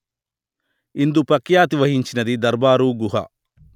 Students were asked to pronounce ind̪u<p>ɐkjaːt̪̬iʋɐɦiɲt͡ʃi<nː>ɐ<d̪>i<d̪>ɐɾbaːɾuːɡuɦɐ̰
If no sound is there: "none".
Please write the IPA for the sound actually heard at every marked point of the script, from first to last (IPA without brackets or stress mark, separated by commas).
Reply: p, n, d̪, d̪